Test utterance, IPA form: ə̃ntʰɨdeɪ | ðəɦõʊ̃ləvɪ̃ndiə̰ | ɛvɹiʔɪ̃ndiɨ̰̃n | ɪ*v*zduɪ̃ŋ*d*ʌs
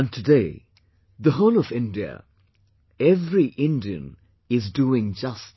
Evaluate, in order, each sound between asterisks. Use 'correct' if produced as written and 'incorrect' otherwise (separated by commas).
incorrect, incorrect